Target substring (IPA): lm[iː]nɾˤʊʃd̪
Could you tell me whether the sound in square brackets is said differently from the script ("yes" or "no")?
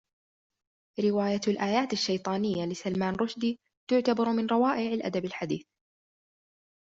yes